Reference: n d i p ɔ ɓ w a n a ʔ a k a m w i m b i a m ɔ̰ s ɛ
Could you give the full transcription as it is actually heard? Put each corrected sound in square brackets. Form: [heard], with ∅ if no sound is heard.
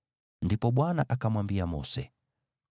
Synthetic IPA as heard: n d i p ɔ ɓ w a n a ʔ a k a m w [a] m b i a m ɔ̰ s ɛ